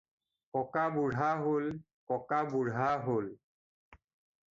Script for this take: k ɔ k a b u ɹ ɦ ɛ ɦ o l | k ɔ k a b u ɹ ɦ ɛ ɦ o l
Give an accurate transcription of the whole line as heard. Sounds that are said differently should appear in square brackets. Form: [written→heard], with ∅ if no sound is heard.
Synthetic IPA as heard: k ɔ k a b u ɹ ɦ [ɛ→a] ɦ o l | k ɔ k a b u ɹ ɦ [ɛ→a] ɦ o l